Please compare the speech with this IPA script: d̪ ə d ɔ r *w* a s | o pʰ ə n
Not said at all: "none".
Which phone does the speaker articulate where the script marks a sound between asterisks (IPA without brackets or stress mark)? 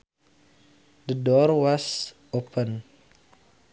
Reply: w